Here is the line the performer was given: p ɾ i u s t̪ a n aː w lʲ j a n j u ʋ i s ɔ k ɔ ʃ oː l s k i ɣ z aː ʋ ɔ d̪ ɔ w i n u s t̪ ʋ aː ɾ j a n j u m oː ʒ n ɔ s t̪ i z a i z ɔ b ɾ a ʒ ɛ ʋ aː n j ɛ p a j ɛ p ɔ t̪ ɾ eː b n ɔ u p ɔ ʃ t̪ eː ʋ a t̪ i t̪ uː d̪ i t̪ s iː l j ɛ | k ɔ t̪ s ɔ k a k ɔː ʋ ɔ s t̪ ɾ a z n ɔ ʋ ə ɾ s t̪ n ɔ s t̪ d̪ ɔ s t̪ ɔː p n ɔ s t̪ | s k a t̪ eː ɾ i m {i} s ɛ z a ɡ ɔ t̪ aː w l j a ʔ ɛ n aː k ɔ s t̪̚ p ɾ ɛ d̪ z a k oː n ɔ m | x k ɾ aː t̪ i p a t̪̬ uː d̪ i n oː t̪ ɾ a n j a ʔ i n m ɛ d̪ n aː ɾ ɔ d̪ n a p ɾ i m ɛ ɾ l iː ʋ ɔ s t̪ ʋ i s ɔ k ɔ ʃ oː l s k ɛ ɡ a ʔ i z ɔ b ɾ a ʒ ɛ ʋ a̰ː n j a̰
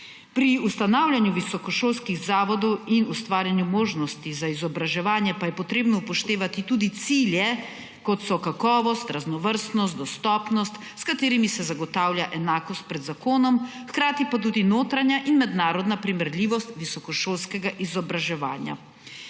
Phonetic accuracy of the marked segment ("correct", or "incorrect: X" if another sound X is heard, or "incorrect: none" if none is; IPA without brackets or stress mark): correct